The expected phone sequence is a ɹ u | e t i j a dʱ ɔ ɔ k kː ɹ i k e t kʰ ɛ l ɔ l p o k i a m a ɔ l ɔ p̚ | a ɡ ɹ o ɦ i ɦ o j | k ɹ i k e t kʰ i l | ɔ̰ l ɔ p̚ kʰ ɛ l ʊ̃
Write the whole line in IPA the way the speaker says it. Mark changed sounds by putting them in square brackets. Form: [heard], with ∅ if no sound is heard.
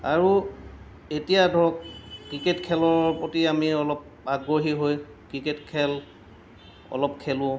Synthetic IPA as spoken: a ɹ u | e t i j a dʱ ɔ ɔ k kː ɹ i k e t kʰ ɛ l ɔ [ɹ] p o [t] i a m [i] ɔ l ɔ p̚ | a ɡ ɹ o ɦ i ɦ o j | k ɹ i k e t kʰ [ɛ] l | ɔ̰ l ɔ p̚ kʰ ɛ l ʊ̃